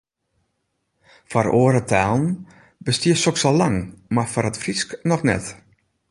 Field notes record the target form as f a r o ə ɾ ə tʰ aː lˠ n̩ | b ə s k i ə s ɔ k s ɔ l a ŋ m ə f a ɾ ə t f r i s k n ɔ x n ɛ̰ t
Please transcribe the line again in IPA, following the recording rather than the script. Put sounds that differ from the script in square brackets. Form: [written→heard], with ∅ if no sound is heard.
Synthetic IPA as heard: f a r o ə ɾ ə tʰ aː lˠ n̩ | b ə s [k→t] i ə s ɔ k s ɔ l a ŋ m [ə→a] f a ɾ ə t f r i s k n ɔ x n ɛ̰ t